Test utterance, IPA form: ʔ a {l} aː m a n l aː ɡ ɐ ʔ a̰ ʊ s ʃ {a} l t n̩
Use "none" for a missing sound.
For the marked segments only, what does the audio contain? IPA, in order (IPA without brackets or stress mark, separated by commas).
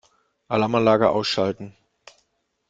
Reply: l, a